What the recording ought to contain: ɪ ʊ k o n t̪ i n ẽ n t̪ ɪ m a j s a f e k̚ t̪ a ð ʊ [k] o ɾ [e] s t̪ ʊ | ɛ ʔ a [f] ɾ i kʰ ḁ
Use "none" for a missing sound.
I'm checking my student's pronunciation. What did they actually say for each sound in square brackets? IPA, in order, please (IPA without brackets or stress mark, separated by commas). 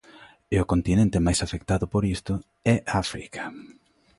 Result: p, i, f